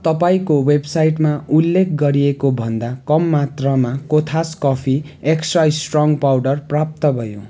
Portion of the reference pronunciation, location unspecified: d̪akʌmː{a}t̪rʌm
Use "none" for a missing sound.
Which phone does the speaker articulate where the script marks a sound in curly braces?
a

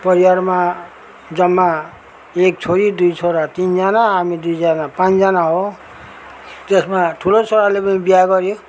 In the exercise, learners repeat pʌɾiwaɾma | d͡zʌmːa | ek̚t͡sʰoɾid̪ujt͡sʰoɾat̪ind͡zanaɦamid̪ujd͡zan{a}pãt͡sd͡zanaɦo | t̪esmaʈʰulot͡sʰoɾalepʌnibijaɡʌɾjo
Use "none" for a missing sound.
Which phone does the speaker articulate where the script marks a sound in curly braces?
a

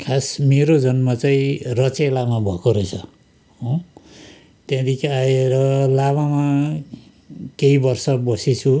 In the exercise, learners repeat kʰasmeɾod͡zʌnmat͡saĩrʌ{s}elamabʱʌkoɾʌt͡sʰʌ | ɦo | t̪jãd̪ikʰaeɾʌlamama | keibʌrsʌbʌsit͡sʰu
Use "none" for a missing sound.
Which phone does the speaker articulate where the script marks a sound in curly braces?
t͡s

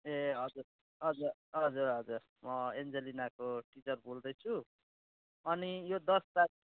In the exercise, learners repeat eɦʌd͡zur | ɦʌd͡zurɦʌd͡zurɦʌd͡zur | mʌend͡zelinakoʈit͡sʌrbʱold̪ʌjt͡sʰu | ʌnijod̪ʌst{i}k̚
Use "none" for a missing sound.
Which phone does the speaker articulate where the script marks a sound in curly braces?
a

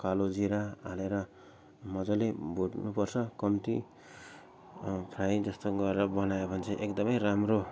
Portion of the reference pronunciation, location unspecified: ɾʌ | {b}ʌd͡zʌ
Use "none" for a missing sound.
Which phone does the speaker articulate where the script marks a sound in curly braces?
m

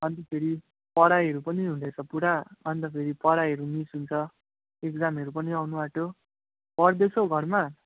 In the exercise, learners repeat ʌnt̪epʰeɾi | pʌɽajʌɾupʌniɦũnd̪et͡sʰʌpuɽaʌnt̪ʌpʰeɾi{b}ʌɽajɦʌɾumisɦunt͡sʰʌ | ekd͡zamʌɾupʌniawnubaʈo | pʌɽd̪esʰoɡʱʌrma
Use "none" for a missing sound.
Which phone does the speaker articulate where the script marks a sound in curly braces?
p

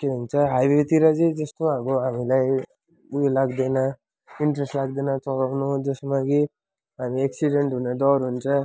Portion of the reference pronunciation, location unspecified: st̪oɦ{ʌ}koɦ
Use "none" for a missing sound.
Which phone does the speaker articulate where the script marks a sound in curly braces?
a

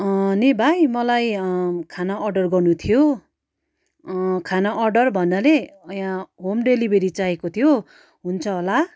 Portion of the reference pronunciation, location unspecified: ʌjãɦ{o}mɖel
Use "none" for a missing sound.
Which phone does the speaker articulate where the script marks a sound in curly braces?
o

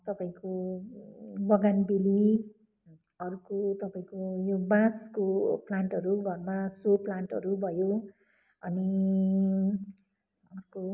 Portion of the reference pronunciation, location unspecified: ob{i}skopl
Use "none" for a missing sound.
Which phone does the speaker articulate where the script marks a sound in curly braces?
a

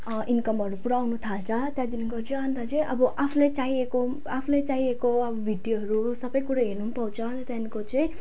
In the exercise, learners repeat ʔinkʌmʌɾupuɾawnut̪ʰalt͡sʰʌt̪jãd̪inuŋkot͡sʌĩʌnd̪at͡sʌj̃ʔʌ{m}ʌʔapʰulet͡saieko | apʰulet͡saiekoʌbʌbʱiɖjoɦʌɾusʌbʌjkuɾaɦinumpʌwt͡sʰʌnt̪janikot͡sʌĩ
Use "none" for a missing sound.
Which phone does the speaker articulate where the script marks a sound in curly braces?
b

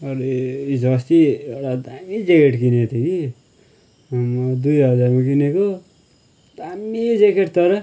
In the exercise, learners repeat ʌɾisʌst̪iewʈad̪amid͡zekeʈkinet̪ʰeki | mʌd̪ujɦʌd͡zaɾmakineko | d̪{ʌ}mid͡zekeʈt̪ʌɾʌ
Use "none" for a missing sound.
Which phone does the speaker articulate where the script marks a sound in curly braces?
a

